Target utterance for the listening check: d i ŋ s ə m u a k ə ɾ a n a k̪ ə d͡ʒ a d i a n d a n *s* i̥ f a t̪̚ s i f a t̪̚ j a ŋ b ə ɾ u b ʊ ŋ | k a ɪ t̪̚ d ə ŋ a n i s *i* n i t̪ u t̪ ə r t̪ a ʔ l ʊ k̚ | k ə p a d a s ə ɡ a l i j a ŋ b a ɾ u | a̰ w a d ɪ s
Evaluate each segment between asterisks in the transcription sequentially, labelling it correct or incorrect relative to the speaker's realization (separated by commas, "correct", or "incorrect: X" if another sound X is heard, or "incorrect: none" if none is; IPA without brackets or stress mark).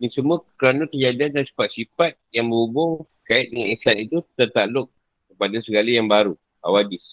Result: correct, incorrect: a